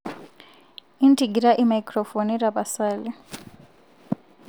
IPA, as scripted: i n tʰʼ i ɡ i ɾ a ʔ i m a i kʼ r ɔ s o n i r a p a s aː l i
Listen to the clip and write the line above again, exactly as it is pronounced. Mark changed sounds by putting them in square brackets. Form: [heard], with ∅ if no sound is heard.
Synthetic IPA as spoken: i n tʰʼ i ɡ i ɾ a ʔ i m a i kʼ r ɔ [f] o n i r a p a s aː l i